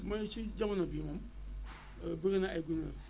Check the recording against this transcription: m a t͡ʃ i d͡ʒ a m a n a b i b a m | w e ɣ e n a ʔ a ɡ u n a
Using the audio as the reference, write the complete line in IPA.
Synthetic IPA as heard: m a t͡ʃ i d͡ʒ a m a n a b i m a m | b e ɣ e n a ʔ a ɡ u n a